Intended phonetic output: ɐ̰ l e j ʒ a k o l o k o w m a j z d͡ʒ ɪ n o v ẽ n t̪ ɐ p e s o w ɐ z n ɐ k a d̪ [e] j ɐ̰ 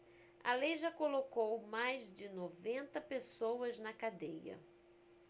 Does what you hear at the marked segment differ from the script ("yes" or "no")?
no